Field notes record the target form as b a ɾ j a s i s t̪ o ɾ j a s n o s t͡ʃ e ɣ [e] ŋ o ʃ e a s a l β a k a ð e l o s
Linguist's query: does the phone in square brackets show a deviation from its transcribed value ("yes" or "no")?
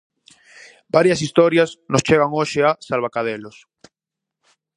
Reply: yes